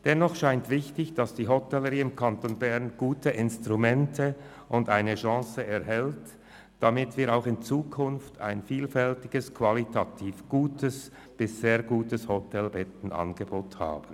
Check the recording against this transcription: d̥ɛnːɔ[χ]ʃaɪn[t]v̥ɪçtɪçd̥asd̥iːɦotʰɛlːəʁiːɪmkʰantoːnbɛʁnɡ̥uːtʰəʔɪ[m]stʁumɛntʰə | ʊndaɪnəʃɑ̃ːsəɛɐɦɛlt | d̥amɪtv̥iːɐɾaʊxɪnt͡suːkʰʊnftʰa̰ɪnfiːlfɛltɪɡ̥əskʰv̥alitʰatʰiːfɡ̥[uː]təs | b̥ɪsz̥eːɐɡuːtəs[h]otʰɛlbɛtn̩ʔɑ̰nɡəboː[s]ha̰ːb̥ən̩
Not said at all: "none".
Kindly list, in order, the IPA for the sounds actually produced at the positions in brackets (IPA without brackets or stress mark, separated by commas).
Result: χ, t, n, uː, h, t